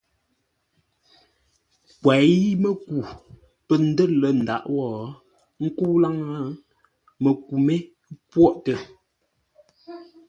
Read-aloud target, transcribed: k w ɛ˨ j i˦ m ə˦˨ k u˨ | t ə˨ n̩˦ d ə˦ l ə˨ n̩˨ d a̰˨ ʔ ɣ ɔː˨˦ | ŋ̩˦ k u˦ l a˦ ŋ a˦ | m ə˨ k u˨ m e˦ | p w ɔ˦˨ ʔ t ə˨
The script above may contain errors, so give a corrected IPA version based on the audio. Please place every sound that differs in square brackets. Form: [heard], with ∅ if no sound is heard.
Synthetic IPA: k w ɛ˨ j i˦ m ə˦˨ k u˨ | [p] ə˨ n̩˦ d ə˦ l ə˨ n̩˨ d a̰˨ ʔ [w] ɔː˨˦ | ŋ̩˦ k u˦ l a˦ ŋ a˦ | m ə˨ k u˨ m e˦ | p w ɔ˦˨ ʔ t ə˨